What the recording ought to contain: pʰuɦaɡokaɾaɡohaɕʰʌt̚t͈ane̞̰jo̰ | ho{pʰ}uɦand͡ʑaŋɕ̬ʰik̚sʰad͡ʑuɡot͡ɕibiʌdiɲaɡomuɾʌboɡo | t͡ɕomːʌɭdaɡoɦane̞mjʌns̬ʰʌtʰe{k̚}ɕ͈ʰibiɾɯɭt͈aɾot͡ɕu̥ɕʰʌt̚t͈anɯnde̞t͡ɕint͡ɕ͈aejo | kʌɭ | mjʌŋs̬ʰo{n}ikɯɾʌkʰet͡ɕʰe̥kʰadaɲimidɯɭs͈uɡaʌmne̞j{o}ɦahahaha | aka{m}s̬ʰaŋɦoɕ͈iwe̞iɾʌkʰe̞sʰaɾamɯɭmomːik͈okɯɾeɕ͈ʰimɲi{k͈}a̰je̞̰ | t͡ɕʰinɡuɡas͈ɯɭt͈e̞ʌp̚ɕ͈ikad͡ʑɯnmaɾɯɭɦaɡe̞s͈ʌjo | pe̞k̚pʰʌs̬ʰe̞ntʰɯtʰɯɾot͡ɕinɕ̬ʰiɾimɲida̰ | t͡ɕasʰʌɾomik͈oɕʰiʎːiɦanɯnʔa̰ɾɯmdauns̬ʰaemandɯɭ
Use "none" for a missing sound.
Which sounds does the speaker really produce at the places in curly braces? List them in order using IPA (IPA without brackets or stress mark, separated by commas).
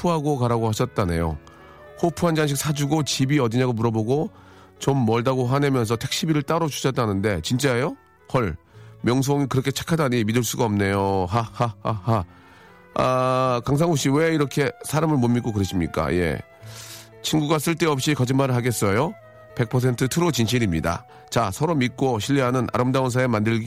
pʰ, k̚, ŋ, o, ŋ, k͈